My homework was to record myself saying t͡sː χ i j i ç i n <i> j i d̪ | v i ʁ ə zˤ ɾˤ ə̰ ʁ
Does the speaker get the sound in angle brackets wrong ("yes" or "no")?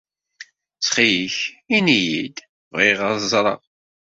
no